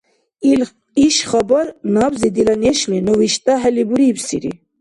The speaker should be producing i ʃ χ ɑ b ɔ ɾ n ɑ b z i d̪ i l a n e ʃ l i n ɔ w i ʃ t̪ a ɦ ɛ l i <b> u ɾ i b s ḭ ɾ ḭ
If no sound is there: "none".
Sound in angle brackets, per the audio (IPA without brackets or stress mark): b